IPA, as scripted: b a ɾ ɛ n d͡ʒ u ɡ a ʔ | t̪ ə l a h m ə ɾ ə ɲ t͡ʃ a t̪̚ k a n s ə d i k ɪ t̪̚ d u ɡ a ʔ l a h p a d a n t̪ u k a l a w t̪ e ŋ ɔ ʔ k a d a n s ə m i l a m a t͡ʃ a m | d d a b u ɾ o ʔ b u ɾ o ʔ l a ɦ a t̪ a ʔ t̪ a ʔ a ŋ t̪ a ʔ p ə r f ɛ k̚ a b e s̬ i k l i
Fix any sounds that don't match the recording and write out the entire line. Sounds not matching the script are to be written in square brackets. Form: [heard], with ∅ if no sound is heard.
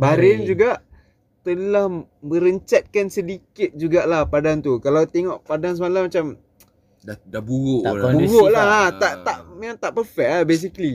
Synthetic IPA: b a ɾ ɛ n d͡ʒ u ɡ a ʔ | t̪ ə l a h m ə ɾ ə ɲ t͡ʃ a t̪̚ k a n s ə d i k ɪ t̪̚ [d͡ʒ] u ɡ a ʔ l a h p a d a n t̪ u k a l a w t̪ e ŋ ɔ ʔ [p] a d a n s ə m [a] l a m a t͡ʃ a m | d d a b u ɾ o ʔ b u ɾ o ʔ l a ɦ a t̪ a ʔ t̪ a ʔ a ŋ t̪ a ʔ p ə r f ɛ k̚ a b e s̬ i k l i